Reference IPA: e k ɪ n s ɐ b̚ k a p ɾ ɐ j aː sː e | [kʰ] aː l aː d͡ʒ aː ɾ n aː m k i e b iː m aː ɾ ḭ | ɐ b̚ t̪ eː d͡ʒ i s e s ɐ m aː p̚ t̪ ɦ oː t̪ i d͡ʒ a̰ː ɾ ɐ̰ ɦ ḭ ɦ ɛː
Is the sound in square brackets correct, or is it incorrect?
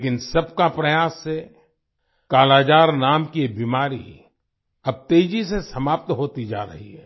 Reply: incorrect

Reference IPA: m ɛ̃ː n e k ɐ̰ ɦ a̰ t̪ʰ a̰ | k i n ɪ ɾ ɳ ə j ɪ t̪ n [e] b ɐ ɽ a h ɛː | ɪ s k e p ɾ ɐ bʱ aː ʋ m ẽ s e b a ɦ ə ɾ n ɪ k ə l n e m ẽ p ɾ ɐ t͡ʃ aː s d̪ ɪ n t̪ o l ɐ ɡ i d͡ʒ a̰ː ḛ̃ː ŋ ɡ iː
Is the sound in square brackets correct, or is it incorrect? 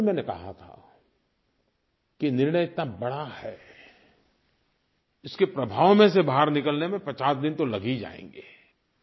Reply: incorrect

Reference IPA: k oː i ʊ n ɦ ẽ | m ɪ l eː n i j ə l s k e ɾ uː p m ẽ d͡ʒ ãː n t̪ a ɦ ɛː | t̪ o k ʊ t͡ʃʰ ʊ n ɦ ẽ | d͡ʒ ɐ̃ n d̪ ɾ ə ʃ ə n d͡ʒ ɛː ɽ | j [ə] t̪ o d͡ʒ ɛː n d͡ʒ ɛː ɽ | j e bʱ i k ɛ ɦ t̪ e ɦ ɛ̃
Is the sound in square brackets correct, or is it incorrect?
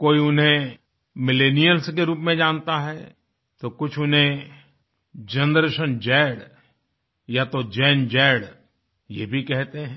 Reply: incorrect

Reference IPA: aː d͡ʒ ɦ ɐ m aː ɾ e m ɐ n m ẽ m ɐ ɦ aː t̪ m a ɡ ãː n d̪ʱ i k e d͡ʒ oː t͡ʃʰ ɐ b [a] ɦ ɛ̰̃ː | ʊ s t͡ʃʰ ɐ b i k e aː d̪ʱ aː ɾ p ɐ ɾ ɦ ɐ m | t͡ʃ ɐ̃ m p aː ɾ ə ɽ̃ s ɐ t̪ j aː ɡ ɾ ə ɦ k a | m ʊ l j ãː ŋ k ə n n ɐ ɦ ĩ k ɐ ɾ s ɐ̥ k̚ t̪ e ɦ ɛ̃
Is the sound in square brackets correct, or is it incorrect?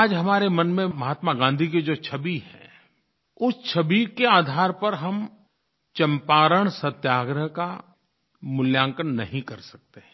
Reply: incorrect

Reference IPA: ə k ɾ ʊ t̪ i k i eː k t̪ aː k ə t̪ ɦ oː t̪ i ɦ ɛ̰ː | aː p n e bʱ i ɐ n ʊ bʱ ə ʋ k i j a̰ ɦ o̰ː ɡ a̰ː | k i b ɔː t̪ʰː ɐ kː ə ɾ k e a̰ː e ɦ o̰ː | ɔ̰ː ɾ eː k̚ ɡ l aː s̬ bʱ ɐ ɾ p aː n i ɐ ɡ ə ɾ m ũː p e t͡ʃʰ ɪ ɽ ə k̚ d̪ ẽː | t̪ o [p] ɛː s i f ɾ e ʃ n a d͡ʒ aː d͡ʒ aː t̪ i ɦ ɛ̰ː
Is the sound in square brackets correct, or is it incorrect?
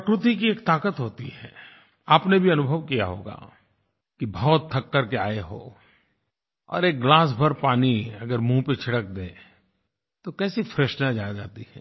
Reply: incorrect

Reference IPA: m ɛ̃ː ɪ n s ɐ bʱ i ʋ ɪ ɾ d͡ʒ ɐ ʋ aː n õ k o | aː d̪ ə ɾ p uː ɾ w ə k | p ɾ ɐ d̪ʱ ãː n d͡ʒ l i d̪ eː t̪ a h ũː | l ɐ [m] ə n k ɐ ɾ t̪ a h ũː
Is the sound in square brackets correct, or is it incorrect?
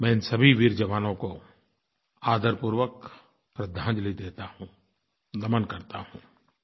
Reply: correct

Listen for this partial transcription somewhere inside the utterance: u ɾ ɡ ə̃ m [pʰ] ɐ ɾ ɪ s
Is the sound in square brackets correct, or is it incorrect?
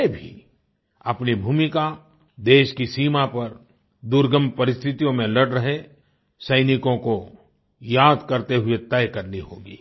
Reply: incorrect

